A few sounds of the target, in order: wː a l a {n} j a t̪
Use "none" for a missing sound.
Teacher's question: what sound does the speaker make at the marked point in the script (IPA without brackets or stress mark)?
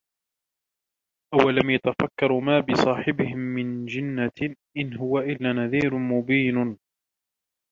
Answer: m